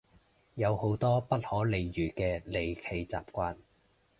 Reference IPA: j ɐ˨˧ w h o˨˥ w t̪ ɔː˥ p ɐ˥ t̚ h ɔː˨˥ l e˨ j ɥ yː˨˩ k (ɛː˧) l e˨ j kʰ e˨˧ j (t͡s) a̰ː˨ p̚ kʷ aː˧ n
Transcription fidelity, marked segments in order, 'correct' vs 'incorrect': correct, correct

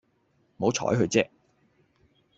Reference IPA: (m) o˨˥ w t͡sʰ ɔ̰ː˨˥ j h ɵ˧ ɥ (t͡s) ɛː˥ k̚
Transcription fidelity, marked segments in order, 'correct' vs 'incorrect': correct, correct

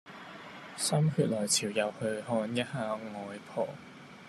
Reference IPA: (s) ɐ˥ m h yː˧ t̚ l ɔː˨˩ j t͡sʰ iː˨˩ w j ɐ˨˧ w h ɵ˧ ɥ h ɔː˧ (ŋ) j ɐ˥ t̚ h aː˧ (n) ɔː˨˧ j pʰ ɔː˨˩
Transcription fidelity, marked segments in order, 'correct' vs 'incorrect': correct, incorrect: n, incorrect: ŋ

